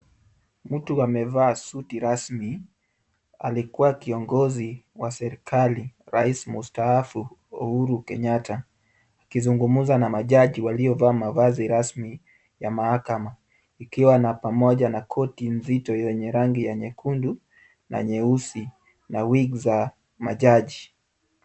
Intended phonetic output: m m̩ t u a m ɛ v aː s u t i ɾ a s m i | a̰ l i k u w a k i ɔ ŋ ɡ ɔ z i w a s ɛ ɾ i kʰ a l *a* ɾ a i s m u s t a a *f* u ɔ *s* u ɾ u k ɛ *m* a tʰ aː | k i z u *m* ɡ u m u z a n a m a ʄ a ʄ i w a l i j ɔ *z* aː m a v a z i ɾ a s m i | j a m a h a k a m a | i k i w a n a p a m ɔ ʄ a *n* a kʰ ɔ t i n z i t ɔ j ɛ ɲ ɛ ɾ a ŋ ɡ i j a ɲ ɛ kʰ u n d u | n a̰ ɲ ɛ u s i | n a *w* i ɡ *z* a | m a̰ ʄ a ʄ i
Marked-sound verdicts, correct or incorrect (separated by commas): incorrect, correct, incorrect, incorrect, incorrect, incorrect, correct, correct, correct